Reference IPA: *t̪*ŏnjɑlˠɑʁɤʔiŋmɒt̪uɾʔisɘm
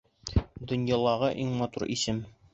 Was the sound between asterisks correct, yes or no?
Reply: no